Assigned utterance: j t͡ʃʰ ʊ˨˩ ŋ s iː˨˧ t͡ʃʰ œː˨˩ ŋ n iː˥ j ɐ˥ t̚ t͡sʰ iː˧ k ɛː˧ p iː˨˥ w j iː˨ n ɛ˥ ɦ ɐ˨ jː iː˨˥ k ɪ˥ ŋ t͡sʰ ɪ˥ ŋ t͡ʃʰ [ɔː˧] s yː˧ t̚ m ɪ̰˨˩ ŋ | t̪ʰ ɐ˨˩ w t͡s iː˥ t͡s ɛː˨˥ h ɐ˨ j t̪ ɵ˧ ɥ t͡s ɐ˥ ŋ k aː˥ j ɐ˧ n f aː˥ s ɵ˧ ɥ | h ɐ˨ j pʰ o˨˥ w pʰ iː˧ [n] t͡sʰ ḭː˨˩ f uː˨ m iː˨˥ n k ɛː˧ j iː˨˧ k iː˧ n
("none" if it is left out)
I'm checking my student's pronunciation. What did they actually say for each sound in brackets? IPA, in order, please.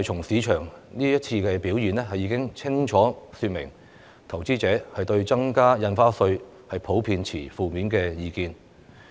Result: ɔː˨˥, n

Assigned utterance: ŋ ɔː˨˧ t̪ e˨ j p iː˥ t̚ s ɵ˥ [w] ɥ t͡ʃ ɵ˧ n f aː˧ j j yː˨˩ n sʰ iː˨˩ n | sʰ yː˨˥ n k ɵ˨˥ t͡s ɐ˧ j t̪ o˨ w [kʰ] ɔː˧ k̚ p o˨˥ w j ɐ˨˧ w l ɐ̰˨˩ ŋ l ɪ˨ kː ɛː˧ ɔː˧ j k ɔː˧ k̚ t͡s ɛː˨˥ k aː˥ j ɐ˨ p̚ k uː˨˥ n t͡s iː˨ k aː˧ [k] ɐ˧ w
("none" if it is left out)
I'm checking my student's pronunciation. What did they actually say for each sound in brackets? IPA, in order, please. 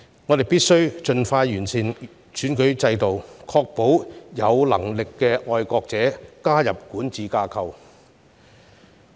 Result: none, kʰ, kʰ

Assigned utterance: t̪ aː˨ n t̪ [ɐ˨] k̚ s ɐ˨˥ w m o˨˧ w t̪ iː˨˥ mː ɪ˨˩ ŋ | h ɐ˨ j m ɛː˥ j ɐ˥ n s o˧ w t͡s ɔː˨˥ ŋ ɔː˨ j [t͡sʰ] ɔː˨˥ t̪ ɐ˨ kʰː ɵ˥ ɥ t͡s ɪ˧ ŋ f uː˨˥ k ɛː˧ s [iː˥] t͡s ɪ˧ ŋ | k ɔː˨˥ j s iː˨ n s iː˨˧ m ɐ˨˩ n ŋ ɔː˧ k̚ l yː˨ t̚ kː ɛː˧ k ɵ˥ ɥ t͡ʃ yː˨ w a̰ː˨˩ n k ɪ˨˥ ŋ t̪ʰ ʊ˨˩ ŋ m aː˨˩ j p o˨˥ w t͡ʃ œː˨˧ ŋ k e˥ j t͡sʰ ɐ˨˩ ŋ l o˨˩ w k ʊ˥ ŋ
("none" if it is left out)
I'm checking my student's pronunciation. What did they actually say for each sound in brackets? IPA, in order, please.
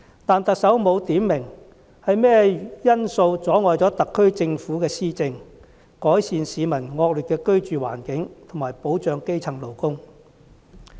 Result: ɐ˨, t͡s, iː˥

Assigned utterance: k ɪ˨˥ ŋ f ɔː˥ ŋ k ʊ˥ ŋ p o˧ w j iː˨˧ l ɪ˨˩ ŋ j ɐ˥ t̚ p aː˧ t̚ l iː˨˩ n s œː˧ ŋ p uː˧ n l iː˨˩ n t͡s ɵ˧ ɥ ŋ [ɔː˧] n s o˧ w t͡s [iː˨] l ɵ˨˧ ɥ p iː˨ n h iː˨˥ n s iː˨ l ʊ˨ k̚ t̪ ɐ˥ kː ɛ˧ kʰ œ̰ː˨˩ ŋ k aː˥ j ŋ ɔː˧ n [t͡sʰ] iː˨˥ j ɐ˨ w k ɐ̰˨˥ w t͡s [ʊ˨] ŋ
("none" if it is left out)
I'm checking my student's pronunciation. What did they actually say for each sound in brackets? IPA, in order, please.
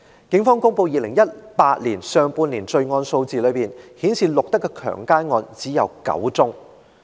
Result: ɔː˧, iː˨, t͡s, ʊ˥

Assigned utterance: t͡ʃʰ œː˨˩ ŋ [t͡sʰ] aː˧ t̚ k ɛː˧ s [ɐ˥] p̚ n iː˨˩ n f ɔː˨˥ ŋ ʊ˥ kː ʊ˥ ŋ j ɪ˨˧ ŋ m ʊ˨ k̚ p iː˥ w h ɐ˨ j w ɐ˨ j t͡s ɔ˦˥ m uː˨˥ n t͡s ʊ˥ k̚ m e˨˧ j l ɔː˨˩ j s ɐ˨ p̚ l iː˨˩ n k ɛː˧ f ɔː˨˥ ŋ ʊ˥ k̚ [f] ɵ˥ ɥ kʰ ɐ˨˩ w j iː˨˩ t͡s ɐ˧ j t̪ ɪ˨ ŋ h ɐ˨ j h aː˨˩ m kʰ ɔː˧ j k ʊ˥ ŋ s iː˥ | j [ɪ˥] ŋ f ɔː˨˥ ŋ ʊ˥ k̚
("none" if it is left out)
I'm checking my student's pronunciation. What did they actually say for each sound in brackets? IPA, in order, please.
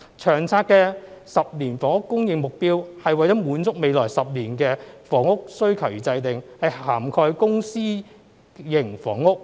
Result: t͡sʰ, ɐ˨, s, ɪ˨˩

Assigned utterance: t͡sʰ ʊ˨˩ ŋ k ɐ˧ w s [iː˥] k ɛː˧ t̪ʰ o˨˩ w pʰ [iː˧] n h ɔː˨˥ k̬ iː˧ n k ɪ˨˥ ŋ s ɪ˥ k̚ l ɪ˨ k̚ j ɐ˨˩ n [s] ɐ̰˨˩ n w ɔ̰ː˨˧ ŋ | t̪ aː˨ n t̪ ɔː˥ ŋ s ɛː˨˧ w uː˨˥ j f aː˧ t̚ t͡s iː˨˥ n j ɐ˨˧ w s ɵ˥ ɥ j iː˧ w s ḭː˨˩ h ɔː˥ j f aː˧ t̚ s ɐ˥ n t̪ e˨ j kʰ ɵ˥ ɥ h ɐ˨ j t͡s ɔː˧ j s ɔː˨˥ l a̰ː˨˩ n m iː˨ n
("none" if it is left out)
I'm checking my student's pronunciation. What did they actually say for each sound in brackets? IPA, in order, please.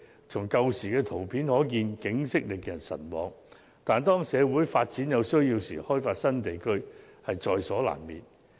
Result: iː˨˩, iː˨˥, s

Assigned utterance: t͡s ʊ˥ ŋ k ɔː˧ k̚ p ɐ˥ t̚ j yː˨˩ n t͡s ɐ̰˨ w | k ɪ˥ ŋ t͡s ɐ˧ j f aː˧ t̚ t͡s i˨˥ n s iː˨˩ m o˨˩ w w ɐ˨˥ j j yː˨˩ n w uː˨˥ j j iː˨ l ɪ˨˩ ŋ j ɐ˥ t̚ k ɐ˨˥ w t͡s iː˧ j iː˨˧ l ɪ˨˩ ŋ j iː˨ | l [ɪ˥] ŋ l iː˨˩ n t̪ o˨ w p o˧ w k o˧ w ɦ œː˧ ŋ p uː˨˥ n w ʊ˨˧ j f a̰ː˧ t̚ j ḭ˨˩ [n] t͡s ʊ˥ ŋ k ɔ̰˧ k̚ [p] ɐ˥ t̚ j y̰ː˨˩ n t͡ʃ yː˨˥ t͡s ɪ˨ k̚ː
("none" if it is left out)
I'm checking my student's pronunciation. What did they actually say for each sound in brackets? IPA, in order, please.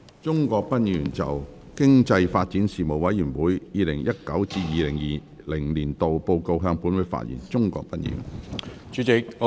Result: ɪ˨˩, n, p

